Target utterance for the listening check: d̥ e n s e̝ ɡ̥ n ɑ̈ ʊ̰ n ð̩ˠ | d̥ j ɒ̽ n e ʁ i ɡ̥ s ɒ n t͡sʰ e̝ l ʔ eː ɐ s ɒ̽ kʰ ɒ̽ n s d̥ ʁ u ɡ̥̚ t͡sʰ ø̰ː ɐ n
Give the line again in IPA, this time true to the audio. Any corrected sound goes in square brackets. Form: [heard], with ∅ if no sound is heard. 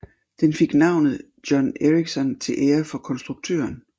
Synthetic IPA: d̥ e n [f] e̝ ɡ̥ n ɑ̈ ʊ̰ n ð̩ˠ | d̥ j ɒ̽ n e ʁ i ɡ̥ s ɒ n t͡sʰ e̝ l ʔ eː ɐ [f] ɒ̽ kʰ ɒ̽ n s d̥ ʁ u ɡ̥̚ t͡sʰ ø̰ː ɐ n